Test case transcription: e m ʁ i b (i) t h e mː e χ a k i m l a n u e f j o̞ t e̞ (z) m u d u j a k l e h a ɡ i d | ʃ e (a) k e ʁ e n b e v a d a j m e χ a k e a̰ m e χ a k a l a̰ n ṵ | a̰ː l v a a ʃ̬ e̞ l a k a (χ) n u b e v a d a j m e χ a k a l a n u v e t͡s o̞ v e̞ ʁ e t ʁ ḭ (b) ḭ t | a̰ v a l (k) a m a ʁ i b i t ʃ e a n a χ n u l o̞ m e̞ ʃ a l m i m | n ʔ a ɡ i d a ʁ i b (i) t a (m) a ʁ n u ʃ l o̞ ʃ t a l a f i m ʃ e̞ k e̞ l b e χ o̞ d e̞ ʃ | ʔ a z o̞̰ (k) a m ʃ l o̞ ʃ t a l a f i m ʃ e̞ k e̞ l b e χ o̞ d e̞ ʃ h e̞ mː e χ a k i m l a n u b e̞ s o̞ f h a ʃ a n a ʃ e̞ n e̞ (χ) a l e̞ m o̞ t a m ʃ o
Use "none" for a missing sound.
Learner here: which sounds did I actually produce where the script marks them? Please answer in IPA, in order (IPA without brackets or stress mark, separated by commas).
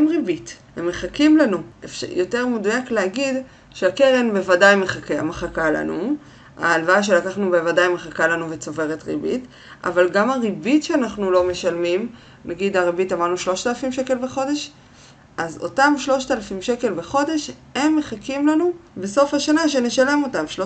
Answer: i, ʁ, a, χ, b, ɡ, i, m, t, ʃ